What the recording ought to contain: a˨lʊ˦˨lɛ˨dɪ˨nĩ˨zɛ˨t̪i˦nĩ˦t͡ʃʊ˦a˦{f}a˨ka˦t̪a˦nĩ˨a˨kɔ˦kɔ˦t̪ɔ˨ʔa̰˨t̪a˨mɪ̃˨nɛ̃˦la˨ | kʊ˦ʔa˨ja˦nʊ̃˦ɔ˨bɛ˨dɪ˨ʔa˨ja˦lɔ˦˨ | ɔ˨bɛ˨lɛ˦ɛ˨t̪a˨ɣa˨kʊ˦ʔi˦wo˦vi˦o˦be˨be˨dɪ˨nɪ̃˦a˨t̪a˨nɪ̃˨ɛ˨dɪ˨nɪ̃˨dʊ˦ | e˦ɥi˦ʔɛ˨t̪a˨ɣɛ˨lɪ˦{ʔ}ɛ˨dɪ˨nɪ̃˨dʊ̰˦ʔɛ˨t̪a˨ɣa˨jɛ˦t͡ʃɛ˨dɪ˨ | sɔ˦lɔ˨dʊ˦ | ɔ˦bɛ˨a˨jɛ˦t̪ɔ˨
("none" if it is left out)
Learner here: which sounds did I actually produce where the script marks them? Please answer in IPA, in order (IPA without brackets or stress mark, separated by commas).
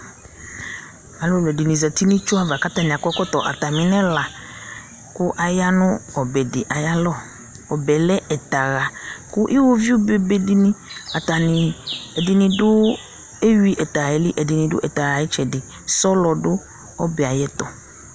v, ʔ